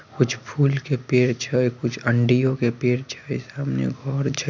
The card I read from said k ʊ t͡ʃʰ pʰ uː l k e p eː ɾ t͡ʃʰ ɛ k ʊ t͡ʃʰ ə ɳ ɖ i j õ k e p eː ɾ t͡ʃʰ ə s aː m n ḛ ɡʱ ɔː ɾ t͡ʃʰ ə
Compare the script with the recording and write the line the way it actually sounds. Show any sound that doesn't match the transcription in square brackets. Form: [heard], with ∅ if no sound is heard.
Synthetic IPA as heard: k ʊ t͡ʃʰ pʰ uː l k e p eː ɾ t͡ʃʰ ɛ k ʊ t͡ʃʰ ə ɳ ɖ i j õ k e p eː ɾ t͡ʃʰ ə s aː m n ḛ ɡʱ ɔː ɾ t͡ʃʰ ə